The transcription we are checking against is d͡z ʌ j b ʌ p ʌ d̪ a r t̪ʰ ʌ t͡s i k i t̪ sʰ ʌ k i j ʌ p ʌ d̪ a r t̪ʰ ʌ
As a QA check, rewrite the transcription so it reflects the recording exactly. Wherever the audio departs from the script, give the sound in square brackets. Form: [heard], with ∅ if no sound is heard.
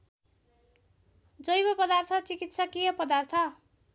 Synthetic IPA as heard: d͡z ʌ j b ʌ p ʌ d̪ a r t̪ʰ ʌ t͡s i k i t̪ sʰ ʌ k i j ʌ p ʌ d̪ a r t̪ʰ ʌ